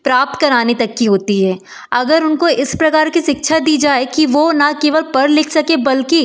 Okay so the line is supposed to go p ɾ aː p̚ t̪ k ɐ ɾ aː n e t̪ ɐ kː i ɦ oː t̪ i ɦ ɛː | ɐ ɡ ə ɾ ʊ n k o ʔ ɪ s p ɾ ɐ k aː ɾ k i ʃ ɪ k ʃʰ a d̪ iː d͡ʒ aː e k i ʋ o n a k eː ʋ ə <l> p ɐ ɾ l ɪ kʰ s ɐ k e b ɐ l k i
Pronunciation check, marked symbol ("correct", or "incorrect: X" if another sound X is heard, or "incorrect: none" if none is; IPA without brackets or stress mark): correct